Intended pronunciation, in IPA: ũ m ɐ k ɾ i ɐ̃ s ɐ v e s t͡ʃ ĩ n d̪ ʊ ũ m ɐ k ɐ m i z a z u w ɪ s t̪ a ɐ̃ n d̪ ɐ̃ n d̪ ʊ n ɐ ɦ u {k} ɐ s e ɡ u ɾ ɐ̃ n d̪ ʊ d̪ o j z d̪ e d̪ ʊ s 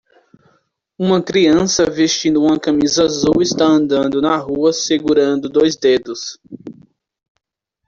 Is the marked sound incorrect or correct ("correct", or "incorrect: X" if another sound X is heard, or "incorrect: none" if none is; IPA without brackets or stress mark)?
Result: incorrect: none